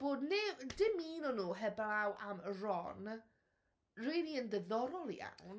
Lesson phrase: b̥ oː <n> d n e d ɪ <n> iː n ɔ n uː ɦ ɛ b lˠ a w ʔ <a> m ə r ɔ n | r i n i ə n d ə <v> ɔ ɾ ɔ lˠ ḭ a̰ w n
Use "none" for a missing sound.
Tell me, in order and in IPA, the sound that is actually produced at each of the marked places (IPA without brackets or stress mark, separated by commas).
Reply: none, m, a, ð